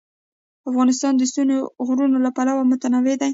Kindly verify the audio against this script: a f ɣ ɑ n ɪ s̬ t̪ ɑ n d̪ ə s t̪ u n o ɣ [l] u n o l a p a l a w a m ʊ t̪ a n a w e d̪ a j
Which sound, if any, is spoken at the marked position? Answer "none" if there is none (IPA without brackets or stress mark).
ɾ